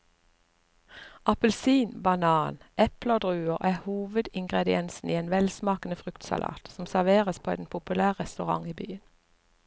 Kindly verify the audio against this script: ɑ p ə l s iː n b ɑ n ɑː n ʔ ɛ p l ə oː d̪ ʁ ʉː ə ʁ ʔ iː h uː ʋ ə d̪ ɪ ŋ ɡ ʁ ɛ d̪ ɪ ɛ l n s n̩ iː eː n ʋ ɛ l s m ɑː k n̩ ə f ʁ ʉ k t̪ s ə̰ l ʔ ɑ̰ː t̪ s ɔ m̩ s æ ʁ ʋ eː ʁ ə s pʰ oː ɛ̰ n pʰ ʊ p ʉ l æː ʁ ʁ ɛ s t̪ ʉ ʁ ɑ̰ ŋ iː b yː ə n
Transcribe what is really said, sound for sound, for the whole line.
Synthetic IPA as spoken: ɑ p ə l s iː n b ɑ n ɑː n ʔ ɛ p l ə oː d̪ ʁ ʉː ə ʁ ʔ æː h uː ʋ ə d̪ ɪ ŋ ɡ ʁ ɛ d̪ ɪ ɛ n s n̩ iː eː n ʋ ɛ l s m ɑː k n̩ ə f ʁ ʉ k t̪ s ɑ̰ l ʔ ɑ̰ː t̪ s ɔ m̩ s æ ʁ ʋ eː ʁ ə s pʰ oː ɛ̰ n pʰ ʊ p ʉ l æː ʁ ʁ ɛ s t̪ ʉ ʁ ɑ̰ ŋ iː b yː ə n

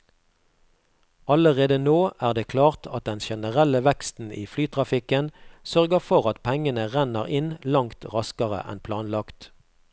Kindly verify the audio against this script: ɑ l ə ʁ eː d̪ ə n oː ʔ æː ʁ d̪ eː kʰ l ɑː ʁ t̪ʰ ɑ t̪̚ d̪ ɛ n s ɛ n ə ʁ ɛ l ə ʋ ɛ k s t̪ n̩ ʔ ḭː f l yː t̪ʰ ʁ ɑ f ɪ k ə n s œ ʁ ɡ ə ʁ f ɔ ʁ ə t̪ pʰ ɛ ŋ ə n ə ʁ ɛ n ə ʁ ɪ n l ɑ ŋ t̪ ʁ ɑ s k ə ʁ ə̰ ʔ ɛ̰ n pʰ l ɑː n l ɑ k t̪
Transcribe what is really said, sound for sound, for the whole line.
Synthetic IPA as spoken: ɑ l ə ʁ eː d̪ ə n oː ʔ æː ʁ d̪ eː kʰ l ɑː ʁ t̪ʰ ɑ t̪̚ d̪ ɛ n ʃ ɛ n ə ʁ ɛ l ə ʋ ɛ k s t̪ n̩ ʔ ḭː f l yː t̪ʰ ʁ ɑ f ɪ k ə n s œ ʁ ɡ ə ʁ f ɔ ʁ ɑ t̪ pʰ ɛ ŋ ə n ə ʁ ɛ n ə ʁ ɪ n l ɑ ŋ t̪ ʁ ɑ s k ə ʁ ə̰ ʔ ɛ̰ n pʰ l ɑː n l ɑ k t̪

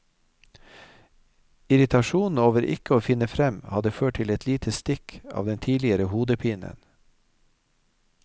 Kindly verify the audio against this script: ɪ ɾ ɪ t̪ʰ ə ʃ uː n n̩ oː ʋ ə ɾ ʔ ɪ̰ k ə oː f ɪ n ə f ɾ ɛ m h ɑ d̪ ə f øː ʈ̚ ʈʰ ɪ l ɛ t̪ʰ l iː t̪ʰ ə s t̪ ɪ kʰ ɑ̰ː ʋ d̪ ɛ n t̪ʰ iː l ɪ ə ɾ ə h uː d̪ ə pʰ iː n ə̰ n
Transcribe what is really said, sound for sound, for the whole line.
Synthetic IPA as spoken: ɪ ɾ ɪ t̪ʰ ɑ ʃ uː n n̩ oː ʋ ə ɾ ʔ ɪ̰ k ə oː f ɪ n ə f ɾ ɛ m h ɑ d̪ ə f øː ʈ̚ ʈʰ ɪ l ɛ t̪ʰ l iː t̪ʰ ə s t̪ ɪ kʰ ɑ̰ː ʋ d̪ ɛ n t̪ʰ iː l ɪ ə ɾ ə h uː d̪ ə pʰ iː n ə̰ n

